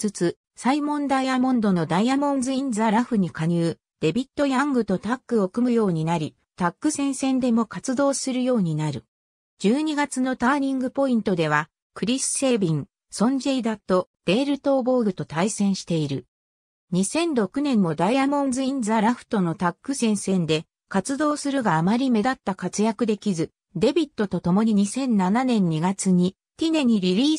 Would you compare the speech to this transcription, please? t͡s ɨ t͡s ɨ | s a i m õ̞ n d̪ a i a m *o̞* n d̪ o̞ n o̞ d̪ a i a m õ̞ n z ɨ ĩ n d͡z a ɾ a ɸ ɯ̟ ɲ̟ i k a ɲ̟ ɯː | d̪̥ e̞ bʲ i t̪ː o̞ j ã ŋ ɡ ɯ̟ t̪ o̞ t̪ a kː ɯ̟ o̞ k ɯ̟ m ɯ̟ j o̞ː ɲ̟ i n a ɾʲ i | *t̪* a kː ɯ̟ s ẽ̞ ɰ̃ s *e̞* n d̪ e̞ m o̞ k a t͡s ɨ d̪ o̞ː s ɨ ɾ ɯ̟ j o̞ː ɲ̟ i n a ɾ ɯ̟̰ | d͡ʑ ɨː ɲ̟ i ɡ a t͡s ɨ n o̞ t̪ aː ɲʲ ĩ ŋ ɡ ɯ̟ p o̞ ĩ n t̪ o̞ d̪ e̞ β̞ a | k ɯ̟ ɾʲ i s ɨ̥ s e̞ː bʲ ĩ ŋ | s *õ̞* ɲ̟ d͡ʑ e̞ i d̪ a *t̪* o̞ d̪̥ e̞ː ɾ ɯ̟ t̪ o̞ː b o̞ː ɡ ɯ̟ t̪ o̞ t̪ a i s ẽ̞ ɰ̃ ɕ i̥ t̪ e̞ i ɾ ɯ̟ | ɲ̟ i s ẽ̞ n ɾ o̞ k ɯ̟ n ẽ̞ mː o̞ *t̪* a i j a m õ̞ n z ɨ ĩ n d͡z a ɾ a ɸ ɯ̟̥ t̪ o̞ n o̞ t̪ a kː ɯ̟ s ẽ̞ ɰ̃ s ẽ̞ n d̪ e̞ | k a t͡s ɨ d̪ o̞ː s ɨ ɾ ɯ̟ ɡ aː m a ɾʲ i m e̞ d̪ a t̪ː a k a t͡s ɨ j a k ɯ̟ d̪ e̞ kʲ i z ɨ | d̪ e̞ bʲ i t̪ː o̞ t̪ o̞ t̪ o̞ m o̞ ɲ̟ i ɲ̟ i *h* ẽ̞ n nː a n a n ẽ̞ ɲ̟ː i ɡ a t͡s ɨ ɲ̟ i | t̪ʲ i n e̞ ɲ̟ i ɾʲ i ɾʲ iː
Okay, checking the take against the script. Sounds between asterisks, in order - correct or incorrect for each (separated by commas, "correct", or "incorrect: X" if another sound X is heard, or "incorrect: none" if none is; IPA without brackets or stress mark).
incorrect: õ̞, correct, incorrect: ẽ̞, correct, correct, incorrect: d̪, incorrect: s